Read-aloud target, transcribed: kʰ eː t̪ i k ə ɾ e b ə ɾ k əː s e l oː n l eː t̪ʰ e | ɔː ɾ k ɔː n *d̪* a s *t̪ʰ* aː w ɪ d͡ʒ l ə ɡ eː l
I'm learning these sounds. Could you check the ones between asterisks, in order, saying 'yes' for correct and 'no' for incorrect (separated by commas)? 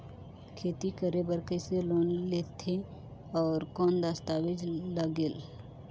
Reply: yes, no